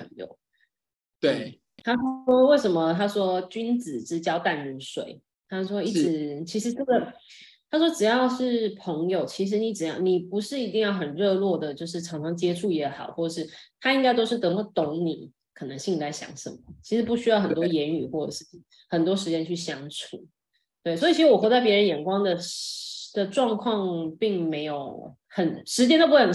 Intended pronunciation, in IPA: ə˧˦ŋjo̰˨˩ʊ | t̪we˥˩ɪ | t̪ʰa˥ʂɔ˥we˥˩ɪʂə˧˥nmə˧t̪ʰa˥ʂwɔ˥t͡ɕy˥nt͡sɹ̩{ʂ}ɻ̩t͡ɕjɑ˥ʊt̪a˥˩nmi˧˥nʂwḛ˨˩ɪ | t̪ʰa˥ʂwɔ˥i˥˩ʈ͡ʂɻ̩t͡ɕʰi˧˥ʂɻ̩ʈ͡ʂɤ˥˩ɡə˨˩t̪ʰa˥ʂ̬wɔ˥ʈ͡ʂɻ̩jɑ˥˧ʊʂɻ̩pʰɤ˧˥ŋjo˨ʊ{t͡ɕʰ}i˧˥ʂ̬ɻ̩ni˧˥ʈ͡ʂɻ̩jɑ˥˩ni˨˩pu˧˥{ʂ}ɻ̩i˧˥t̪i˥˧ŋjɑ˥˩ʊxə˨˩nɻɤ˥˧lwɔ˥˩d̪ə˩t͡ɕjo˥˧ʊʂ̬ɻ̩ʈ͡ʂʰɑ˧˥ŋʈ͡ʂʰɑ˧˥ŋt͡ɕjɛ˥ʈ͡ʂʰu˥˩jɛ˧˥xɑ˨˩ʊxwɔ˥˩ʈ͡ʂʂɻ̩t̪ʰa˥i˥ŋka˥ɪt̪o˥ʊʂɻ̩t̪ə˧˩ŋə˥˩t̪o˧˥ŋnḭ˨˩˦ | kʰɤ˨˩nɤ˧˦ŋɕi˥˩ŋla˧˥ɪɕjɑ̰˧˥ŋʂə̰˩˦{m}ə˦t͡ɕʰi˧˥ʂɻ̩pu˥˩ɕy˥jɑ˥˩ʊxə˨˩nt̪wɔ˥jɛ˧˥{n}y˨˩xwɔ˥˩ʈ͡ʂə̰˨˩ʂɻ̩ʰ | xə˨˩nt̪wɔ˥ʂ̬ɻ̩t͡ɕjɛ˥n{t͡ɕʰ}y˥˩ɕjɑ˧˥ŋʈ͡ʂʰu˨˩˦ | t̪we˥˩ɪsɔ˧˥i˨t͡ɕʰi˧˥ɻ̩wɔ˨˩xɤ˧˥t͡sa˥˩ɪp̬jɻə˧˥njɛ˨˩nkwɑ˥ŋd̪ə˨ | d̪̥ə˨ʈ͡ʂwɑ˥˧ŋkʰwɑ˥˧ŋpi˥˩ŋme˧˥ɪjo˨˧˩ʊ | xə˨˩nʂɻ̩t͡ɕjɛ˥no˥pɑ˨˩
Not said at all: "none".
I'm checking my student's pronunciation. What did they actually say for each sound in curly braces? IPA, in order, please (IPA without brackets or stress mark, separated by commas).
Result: ʈ͡ʂ, t͡ɕʰ, ʂ, m, n, t͡ɕʰ